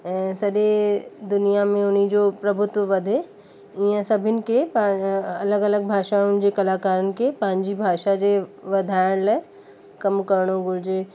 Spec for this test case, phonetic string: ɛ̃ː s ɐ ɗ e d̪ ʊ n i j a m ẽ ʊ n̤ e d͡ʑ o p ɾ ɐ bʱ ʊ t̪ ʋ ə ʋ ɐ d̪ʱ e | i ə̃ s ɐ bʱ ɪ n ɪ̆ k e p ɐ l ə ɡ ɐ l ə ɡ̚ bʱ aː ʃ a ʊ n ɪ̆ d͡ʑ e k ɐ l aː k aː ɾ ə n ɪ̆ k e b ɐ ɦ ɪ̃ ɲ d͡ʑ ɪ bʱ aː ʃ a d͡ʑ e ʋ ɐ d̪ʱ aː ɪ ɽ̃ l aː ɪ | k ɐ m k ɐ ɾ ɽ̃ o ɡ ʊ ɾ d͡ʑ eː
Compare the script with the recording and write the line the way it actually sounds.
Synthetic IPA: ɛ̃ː s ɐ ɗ e d̪ ʊ n i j a m ẽ ʊ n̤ i d͡ʑ o p ɾ ɐ bʱ ʊ t̪ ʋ ə ʋ ɐ d̪ʱ e | i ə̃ s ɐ bʱ ɪ n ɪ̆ k e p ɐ l ə ɡ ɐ l ə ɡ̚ bʱ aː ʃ a ʊ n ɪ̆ d͡ʑ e k ɐ l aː k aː ɾ ə n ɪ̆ k e p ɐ ɦ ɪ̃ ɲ d͡ʑ i bʱ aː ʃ a d͡ʑ e ʋ ɐ d̪ʱ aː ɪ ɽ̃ l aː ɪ | k ɐ m k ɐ ɾ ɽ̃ o ɡ ʊ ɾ d͡ʑ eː